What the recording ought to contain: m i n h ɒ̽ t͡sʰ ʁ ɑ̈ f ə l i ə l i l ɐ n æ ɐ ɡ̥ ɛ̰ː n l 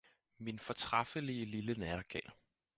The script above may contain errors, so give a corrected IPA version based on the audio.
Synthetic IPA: m i n f ɒ̽ t͡sʰ ʁ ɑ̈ f ə l i ə l i l ə n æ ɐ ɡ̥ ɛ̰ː l